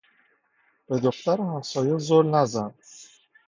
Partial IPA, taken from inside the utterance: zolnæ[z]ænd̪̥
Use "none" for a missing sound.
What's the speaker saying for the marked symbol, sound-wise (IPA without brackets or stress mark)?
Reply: z